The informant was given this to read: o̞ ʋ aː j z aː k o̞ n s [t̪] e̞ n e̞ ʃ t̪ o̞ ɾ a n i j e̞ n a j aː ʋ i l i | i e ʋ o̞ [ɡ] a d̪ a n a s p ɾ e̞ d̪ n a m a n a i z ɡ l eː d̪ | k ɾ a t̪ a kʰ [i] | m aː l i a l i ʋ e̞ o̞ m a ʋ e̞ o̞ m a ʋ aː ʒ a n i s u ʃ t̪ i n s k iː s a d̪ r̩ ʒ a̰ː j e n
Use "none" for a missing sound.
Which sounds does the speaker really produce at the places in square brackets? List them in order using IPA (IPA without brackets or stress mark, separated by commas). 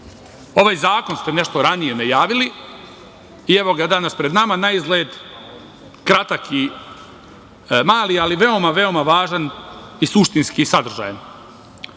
t̪, ɡ, i